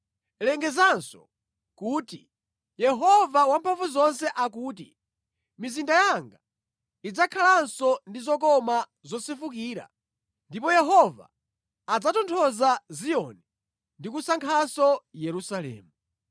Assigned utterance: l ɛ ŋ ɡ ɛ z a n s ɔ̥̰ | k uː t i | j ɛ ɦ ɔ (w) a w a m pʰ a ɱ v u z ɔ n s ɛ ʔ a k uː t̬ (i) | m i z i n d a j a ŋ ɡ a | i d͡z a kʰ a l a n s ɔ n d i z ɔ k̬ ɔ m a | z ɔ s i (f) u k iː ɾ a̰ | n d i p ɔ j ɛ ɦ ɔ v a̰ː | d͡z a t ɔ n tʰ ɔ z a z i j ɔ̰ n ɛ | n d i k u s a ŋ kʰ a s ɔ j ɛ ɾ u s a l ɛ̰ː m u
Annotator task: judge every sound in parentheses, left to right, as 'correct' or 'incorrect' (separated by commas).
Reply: incorrect, correct, correct